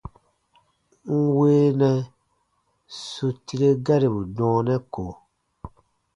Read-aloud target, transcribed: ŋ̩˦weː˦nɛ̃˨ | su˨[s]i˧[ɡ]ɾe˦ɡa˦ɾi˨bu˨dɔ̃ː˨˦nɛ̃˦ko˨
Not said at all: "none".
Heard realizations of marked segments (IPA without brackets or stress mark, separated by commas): t, none